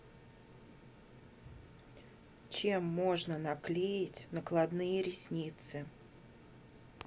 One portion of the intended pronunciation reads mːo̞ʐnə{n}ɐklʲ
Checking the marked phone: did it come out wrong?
no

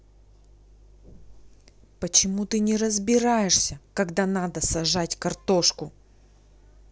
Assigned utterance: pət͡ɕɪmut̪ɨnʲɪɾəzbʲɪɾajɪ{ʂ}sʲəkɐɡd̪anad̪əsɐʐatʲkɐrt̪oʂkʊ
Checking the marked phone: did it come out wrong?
no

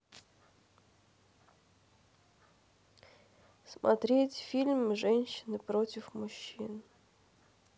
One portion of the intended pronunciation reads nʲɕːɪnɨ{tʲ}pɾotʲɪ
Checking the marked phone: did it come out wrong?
yes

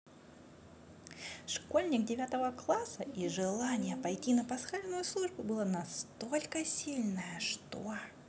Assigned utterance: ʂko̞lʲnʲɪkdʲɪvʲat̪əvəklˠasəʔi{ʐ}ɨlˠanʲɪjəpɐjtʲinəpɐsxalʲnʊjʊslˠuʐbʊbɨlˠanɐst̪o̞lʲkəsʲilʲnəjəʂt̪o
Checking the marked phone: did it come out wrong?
no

